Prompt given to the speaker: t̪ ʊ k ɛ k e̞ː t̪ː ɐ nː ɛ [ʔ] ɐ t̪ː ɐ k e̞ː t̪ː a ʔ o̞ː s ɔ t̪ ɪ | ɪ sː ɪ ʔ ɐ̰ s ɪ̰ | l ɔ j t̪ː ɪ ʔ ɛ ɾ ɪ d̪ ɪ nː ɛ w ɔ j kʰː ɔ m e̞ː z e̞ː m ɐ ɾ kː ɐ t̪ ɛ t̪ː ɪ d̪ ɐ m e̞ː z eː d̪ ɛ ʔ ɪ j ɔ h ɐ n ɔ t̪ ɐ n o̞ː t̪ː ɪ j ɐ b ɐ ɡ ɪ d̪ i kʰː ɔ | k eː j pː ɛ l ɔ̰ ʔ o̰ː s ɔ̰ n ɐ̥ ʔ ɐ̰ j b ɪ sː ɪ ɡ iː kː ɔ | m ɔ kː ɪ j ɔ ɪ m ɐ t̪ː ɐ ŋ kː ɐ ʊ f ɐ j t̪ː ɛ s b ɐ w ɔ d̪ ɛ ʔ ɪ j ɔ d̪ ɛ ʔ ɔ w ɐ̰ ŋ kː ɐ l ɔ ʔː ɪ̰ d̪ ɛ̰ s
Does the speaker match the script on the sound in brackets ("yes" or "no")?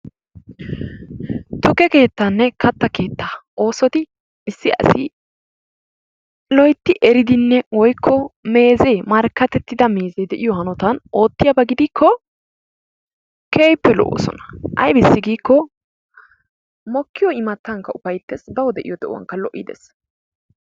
no